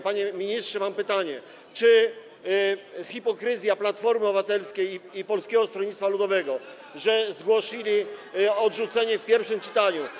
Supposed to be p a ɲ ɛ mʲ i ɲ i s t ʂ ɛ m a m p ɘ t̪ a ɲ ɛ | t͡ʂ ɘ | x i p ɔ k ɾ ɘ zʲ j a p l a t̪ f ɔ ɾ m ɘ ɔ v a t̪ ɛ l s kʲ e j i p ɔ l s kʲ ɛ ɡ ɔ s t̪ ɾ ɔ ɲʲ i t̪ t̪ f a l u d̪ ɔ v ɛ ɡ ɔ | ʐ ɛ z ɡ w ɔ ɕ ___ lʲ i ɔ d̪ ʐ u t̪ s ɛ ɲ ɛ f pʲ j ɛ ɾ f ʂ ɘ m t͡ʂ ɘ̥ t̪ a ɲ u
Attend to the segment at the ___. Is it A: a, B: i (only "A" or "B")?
B